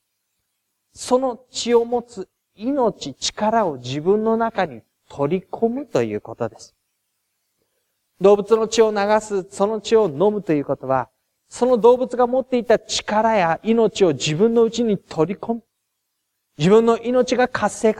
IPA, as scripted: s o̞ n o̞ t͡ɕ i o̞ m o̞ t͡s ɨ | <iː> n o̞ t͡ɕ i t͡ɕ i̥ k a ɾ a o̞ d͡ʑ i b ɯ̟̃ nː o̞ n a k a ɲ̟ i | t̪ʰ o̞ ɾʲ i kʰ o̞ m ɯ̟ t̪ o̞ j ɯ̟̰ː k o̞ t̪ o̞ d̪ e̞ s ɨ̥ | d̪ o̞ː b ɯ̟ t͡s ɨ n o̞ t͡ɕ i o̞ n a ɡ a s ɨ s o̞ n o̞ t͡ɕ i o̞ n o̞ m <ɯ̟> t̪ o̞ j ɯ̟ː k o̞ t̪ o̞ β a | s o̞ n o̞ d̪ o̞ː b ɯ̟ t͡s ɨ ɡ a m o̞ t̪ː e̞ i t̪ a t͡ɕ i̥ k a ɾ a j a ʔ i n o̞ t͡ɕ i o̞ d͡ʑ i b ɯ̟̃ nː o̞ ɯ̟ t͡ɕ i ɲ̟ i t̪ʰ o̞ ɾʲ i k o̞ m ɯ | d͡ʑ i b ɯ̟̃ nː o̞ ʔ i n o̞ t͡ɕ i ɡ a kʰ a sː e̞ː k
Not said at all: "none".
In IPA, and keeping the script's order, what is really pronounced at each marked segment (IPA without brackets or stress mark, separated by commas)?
i, ɯ̟